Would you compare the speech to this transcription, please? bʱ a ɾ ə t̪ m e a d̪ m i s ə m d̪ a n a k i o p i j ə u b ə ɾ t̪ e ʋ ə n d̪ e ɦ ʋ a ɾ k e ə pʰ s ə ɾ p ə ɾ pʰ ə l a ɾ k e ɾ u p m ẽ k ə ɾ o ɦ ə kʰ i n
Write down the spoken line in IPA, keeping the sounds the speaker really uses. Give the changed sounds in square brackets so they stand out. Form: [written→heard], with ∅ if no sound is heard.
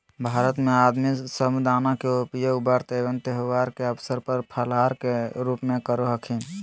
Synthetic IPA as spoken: bʱ a ɾ ə t̪ m e a d̪ m i s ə m d̪ a n a k [i→e] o p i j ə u b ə ɾ t̪ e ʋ ə n [d̪→t̪] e ɦ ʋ a ɾ k e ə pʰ s ə ɾ p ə ɾ pʰ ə l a ɾ k e ɾ u p m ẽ k ə ɾ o ɦ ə kʰ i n